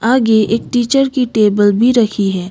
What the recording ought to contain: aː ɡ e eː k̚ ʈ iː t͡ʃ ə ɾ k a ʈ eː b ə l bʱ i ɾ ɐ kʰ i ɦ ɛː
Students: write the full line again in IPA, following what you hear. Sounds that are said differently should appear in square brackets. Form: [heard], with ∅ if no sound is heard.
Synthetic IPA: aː ɡ e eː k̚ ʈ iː t͡ʃ ə ɾ k [i] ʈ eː b ə l bʱ i ɾ ɐ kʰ i ɦ ɛː